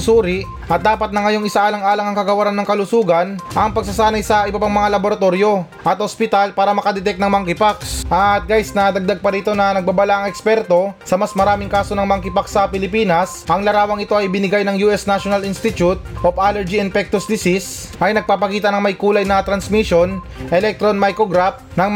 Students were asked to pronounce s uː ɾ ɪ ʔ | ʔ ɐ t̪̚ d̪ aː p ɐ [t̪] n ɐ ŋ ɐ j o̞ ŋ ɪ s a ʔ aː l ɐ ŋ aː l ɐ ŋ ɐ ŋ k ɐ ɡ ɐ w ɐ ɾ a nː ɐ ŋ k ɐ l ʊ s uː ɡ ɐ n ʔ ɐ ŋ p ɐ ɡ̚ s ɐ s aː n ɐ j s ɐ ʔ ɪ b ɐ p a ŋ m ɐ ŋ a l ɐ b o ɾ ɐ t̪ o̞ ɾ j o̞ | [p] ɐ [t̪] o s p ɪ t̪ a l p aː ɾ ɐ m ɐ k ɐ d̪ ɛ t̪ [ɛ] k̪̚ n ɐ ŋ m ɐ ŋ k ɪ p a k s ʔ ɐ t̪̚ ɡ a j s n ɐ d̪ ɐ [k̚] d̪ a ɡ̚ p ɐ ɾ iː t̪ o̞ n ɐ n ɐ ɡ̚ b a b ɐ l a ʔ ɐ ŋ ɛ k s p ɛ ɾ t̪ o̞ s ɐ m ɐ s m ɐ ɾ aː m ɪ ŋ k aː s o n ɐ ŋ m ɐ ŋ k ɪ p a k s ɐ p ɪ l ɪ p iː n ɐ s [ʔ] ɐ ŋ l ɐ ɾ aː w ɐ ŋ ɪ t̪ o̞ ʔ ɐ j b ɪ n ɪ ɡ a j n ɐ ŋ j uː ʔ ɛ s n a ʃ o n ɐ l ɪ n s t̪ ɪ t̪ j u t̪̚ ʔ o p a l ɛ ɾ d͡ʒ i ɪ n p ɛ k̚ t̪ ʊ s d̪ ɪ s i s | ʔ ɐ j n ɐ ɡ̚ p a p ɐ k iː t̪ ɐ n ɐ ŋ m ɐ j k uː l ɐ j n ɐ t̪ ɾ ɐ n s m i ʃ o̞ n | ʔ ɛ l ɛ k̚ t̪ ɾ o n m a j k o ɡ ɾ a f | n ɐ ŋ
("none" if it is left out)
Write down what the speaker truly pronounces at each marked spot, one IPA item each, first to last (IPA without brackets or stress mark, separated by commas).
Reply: t̪, ʔ, t̪, ɛ, ɡ̚, ʔ